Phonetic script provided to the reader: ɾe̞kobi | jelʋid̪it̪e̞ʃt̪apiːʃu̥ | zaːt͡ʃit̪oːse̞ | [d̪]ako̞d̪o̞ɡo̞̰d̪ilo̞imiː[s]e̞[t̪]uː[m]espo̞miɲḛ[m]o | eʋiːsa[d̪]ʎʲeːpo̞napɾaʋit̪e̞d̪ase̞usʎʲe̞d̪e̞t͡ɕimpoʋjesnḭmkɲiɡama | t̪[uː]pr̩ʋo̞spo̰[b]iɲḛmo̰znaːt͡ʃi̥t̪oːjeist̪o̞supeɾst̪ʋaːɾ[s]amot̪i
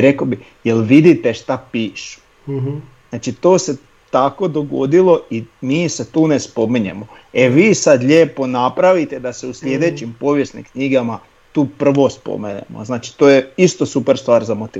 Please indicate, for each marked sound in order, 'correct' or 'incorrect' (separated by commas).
incorrect, correct, correct, incorrect, correct, correct, correct, incorrect, incorrect